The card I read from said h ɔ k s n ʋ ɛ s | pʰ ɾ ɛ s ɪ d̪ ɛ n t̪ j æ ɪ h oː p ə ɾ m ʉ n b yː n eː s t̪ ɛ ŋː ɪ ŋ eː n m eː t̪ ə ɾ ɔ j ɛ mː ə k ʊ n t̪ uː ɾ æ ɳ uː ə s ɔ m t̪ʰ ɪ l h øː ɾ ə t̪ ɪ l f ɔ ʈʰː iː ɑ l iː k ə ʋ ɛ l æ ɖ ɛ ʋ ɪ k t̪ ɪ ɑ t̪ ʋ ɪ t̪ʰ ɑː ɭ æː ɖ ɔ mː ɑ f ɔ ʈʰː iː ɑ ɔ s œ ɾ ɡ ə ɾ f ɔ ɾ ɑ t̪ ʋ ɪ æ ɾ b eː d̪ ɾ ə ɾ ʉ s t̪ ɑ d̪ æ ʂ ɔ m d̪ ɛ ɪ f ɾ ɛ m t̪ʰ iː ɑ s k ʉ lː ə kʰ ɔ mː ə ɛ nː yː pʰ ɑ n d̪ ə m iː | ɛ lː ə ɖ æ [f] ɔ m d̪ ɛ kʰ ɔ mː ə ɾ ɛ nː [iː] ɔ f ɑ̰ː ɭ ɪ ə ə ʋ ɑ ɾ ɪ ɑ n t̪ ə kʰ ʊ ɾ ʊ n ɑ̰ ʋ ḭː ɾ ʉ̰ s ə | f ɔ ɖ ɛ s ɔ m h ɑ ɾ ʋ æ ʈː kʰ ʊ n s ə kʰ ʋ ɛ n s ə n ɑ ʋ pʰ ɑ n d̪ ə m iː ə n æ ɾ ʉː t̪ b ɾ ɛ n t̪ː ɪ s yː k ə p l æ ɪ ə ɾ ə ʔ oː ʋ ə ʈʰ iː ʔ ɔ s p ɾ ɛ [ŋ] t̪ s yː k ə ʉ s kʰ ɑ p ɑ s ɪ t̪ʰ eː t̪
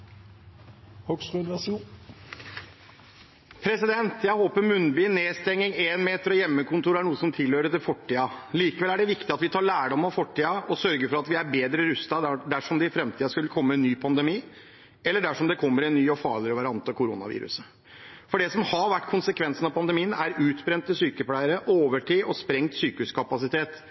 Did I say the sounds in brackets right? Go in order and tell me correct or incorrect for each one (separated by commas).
incorrect, incorrect, correct